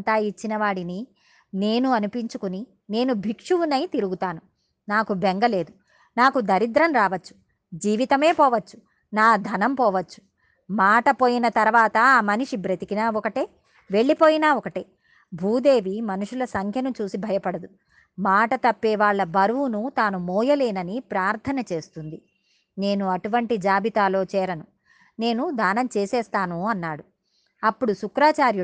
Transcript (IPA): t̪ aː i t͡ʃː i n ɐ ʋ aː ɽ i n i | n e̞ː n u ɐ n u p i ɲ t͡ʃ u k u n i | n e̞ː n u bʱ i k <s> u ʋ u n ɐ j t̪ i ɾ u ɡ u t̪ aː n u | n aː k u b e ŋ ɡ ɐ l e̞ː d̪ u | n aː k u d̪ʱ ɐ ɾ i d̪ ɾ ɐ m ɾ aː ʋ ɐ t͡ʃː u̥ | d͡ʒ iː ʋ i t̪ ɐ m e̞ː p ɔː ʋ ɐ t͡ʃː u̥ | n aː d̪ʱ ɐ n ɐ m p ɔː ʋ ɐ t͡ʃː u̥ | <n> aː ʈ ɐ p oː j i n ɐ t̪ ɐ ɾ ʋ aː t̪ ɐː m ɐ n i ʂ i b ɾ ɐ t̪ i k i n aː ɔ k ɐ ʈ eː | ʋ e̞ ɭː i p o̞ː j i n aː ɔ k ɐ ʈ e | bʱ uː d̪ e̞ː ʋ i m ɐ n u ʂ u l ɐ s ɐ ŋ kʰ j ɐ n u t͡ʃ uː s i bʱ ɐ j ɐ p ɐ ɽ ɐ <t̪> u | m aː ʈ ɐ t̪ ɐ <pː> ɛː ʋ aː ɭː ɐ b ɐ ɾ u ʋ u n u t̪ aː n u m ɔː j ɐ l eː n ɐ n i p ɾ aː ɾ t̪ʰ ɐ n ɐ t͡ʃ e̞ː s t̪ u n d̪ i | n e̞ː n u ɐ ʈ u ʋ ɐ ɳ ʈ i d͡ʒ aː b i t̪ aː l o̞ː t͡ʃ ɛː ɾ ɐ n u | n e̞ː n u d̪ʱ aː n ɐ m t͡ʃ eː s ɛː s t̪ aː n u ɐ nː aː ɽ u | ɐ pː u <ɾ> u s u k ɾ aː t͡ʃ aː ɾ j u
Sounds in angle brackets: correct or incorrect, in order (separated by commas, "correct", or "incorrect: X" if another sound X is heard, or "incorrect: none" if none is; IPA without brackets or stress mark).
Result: incorrect: ʂ, incorrect: m, incorrect: d̪, correct, incorrect: ɽ